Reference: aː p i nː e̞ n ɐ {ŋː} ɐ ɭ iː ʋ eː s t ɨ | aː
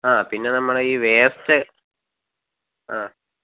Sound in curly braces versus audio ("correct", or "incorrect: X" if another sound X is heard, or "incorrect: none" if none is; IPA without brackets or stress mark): incorrect: mː